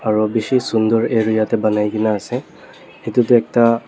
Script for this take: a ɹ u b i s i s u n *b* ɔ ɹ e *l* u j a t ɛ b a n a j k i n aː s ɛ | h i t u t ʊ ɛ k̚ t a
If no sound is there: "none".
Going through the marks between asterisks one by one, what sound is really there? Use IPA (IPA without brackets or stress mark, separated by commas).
d, ɹ